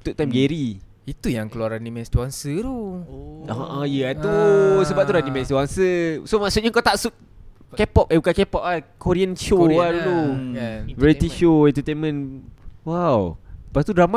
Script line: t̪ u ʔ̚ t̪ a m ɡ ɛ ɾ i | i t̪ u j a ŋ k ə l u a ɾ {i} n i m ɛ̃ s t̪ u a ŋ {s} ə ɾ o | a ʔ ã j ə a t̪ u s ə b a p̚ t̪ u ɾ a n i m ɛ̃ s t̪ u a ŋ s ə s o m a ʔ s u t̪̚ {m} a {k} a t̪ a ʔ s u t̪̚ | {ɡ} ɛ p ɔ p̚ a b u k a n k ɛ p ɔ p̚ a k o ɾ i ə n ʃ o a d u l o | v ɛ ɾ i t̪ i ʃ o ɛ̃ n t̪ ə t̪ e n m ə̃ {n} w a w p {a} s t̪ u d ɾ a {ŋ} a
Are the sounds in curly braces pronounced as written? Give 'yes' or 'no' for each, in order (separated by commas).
no, yes, no, yes, no, yes, yes, no